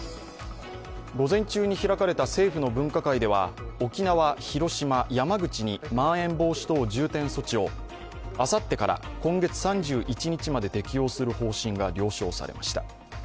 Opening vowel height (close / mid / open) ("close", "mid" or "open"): mid